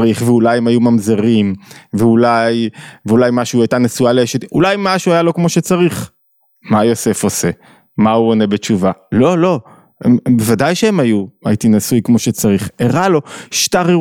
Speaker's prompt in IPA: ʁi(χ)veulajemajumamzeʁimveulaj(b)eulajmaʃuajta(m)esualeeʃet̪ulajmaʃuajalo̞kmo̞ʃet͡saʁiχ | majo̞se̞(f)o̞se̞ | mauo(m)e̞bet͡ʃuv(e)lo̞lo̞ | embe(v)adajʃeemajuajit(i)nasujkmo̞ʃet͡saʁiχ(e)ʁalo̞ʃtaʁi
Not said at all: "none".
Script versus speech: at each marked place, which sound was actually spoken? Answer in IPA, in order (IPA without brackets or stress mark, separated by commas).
χ, v, n, f, n, a, v, i, e